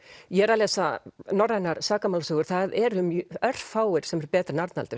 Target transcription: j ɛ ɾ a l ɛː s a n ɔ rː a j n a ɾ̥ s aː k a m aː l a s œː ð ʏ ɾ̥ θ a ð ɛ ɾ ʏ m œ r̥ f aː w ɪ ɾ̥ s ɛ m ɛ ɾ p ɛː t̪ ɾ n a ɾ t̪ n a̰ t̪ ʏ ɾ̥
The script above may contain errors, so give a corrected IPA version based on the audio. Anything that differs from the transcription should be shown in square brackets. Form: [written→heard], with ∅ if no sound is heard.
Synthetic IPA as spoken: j ɛ ɾ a l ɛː s a n ɔ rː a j n a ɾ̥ s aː k a m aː l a s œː [ð→ɣ] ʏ ɾ̥ θ a ð ɛ ɾ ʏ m œ r̥ f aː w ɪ ɾ̥ s ɛ m ɛ ɾ p ɛː t̪ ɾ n a ɾ t̪ n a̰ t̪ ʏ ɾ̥

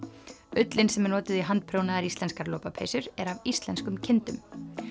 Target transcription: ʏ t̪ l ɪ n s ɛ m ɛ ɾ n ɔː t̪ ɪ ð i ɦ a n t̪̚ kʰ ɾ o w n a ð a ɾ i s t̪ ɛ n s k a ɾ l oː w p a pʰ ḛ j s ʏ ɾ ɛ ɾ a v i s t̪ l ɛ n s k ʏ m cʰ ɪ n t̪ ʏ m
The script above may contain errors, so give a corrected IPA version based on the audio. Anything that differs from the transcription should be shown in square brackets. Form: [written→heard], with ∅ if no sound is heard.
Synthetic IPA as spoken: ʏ t̪ l ɪ n s ɛ m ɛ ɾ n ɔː t̪ ɪ ð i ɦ a n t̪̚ [kʰ→pʰ] ɾ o w n a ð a ɾ i s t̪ ɛ n s k a ɾ l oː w p a pʰ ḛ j s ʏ ɾ ɛ ɾ a v i s t̪ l ɛ n s k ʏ m cʰ ɪ n t̪ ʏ m

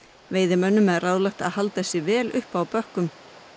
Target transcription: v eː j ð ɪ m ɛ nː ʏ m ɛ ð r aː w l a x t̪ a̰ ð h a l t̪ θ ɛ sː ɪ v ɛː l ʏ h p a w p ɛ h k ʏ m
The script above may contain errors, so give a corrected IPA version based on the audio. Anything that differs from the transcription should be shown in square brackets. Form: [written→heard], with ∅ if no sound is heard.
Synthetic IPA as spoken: v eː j ð ɪ m [ɛ→œ] nː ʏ m ɛ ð r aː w l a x t̪ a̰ ð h a l t̪ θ ɛ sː ɪ v ɛː l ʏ h p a w p [ɛ→œ] h k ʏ m

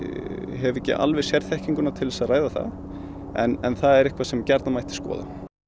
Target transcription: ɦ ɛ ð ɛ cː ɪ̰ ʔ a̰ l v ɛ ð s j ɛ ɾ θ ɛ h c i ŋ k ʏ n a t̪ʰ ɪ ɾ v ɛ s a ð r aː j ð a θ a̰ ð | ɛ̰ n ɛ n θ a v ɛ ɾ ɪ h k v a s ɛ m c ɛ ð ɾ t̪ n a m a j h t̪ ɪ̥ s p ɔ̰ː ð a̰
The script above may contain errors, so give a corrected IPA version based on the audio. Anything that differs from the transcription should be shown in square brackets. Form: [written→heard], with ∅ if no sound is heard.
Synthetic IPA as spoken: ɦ ɛ [ð→v] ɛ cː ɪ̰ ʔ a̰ l v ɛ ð s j ɛ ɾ θ ɛ h c i ŋ k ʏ n a t̪ʰ ɪ [ɾ→l] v ɛ s a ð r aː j ð a θ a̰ ð | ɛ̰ n ɛ n θ a [v→ð] ɛ ɾ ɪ h k v a s ɛ m c ɛ [ð→∅] ɾ t̪ n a m a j h t̪ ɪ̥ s [p→k] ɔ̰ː ð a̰

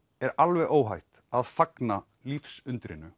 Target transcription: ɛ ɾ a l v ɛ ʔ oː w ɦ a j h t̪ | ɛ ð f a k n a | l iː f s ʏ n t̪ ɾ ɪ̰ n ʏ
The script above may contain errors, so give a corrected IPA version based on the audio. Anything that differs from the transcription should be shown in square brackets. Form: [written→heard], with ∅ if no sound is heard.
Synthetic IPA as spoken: ɛ ɾ a l v ɛ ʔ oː w ɦ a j h t̪ | [ɛ→a] ð f a k n a | l [iː→i] f s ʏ n t̪ ɾ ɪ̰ n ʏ

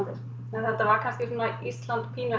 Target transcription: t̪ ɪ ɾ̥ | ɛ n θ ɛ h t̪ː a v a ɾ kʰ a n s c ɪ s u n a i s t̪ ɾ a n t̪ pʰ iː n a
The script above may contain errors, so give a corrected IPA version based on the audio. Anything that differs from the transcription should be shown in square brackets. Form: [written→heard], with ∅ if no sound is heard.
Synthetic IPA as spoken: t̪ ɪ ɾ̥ | ɛ n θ ɛ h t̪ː a v a ɾ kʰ a n s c ɪ s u n a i s t̪ [ɾ→l] a n t̪ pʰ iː n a

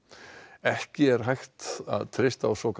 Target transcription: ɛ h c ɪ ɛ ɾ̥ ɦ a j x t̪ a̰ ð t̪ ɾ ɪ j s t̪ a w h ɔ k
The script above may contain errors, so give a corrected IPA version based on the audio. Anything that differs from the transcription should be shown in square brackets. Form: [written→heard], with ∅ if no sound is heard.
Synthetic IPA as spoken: ɛ h c ɪ ɛ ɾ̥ ɦ a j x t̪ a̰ ð [t̪→t̪ʰ] ɾ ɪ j s t̪ a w [h→s] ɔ k

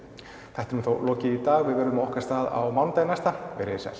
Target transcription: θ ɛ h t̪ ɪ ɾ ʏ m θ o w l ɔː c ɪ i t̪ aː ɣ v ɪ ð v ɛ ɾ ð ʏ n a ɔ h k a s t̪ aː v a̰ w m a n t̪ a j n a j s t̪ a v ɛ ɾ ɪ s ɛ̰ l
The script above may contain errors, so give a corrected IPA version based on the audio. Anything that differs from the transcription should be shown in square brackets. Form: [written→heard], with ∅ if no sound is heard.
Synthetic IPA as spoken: θ ɛ h t̪ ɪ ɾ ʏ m θ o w l ɔː c ɪ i t̪ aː ɣ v ɪ ð v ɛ ɾ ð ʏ [n→m] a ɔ h k a s t̪ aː [v→ð] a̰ w m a n t̪ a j n a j s t̪ a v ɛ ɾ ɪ s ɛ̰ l

